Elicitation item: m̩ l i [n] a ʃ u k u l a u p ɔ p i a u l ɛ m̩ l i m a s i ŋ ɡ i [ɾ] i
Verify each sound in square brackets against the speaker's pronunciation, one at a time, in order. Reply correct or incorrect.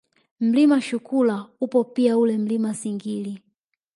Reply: incorrect: m, incorrect: l

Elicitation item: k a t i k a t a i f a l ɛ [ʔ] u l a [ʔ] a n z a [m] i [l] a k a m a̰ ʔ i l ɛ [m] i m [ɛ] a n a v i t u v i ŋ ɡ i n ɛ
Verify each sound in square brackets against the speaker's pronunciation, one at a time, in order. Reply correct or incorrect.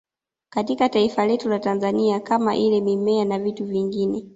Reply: incorrect: t, incorrect: t, incorrect: n, incorrect: none, correct, correct

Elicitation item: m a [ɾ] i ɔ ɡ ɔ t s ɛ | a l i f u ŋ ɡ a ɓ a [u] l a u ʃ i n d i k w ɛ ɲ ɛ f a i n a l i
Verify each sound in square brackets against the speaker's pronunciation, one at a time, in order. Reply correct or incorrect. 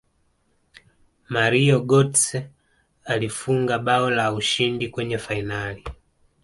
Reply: correct, incorrect: ɔ

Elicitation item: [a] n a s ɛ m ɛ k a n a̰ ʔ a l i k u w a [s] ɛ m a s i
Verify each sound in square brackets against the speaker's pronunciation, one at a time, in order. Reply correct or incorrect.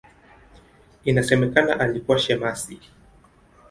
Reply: incorrect: i, incorrect: ʃ

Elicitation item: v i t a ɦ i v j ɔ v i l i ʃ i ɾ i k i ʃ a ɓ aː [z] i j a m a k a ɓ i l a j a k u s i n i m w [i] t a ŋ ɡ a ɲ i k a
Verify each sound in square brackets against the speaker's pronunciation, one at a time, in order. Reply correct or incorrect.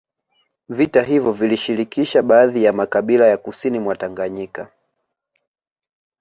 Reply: incorrect: ð, incorrect: a

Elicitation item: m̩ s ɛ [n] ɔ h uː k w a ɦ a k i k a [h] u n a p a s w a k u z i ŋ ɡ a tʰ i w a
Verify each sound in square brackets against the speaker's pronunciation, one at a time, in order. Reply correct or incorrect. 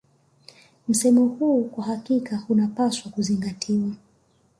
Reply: incorrect: m, correct

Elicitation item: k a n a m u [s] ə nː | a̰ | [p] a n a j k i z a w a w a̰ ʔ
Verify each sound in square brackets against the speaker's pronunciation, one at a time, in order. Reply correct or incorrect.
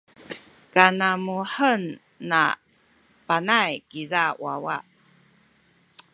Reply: incorrect: ħ, correct

